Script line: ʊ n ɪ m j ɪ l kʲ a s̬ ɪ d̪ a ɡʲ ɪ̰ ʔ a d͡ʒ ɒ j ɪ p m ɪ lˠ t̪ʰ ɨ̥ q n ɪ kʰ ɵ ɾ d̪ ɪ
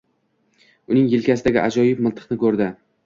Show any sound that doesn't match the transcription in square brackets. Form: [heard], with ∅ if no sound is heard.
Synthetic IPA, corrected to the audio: ʊ n ɪ [ŋ] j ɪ l kʲ a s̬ ɪ d̪ a ɡʲ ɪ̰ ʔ a d͡ʒ ɒ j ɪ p m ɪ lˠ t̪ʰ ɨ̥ q n ɪ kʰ ɵ ɾ d̪ ɪ